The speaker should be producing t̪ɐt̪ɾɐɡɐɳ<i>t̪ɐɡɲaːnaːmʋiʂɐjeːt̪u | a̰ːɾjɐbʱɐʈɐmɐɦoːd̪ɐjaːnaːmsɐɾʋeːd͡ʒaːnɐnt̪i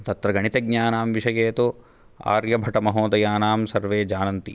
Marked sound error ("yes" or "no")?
no